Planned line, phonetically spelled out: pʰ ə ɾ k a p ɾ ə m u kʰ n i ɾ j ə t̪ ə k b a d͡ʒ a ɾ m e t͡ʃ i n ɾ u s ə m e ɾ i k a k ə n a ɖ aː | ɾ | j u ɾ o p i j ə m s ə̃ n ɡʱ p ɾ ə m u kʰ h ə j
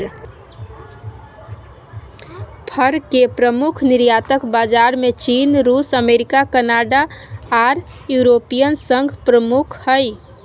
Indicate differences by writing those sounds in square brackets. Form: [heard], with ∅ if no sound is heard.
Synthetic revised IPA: pʰ ə ɾ k [e] p ɾ ə m u kʰ n i ɾ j [a] t̪ ə k b a d͡ʒ a ɾ m e t͡ʃ i n ɾ u s ə m e ɾ i k a k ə n a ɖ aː | ɾ | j u ɾ o p i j ə [n] s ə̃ [ŋ] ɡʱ p ɾ ə m u kʰ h ə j